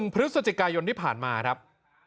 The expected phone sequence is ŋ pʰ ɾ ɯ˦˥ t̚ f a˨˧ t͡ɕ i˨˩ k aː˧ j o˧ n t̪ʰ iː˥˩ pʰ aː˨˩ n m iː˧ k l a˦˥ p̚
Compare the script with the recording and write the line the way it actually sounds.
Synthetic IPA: ŋ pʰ ɾ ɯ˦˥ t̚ s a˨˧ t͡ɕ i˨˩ k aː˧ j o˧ n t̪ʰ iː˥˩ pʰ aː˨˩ n m aː˧ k ɾ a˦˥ p̚

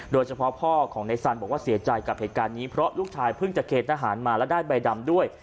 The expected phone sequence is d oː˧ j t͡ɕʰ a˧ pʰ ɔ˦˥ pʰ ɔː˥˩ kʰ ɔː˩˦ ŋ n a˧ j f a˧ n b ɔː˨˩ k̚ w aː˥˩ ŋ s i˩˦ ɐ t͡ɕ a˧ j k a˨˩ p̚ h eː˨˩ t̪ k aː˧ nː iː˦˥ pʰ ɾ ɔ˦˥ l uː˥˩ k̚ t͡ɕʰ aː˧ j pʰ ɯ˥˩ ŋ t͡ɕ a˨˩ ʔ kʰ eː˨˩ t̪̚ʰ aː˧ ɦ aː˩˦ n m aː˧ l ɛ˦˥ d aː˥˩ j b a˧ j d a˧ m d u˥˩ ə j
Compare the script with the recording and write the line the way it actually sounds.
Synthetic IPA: d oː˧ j t͡ɕʰ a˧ pʰ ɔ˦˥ pʰ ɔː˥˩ kʰ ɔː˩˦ ŋ n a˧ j s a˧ n b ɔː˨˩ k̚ w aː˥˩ s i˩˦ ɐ t͡ɕ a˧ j k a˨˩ p̚ h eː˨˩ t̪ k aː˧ nː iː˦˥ pʰ ɾ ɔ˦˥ l uː˥˩ k̚ t͡ɕʰ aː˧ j pʰ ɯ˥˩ ŋ t͡ɕ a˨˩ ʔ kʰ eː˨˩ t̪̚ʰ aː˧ ɦ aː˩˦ n m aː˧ l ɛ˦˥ d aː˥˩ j b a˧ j d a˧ m d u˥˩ ə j

